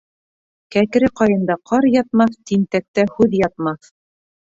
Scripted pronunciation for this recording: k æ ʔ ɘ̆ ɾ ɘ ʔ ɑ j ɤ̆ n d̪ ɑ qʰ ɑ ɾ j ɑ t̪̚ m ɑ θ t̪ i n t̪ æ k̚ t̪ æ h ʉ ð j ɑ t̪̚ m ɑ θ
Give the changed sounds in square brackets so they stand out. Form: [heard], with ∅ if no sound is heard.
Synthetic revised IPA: k æ [k] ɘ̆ ɾ ɘ [q] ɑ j ɤ̆ n d̪ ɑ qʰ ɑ ɾ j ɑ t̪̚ m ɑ θ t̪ i n t̪ æ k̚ t̪ æ h ʉ ð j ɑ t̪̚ m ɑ θ